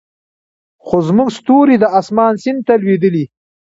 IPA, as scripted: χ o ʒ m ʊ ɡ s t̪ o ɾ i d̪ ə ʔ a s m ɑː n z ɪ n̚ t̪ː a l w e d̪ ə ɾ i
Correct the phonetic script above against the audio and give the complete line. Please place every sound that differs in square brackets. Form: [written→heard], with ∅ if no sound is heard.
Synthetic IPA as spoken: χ o [ʒ→z] m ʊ ɡ s t̪ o ɾ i d̪ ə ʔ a s m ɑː n [z→s] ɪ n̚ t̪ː a l w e d̪ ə [ɾ→l] i